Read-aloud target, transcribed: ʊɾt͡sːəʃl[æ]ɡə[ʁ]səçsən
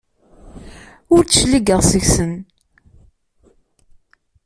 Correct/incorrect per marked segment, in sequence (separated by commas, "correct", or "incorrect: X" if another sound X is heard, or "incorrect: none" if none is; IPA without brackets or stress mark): incorrect: i, correct